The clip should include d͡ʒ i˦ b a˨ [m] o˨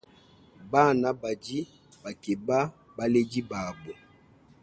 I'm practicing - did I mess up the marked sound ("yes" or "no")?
yes